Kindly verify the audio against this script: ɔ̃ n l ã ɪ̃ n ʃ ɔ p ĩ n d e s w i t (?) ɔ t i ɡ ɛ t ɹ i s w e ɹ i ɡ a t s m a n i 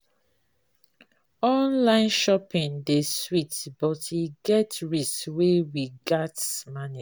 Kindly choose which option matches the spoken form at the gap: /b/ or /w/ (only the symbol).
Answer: b